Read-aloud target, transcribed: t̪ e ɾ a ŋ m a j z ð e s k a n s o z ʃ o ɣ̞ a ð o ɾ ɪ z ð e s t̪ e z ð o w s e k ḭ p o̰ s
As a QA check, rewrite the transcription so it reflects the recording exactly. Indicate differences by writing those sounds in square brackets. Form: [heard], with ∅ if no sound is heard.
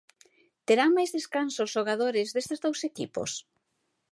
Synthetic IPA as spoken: t̪ e ɾ a ŋ m a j z ð e s k a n s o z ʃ o ɣ̞ a ð o ɾ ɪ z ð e s t̪ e z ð o w s e k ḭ p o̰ s